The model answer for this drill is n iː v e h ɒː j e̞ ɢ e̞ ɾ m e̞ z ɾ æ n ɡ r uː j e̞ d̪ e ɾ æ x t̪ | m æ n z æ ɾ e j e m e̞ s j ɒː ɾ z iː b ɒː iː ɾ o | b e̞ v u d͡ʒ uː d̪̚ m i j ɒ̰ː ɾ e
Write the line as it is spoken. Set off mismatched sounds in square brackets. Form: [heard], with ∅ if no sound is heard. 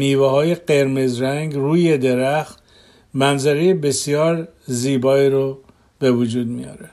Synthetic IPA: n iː v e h ɒː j e̞ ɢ e̞ ɾ m e̞ z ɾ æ [ŋ] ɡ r uː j e̞ d̪ e ɾ æ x t̪ | m æ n z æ ɾ e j e [b] e̞ s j ɒː ɾ z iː b ɒː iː ɾ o | b e̞ v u d͡ʒ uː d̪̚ m i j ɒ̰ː ɾ e